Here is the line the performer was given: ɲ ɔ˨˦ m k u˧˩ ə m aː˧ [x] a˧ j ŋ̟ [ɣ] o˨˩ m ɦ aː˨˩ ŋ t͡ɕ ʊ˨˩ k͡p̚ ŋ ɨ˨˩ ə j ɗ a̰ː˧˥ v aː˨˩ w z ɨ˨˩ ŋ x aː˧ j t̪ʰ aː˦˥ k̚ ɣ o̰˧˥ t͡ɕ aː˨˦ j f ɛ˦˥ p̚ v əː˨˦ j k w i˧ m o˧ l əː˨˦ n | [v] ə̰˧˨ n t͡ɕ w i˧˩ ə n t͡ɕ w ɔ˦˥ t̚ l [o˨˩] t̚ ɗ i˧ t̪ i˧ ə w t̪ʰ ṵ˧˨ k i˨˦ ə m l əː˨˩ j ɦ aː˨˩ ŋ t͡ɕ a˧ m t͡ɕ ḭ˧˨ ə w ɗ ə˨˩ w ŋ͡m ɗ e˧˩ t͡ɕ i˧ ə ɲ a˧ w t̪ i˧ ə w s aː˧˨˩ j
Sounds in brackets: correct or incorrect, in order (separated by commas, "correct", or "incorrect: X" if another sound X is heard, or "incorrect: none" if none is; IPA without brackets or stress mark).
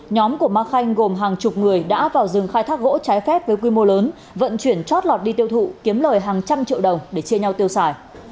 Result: correct, correct, correct, incorrect: ɔ˨˩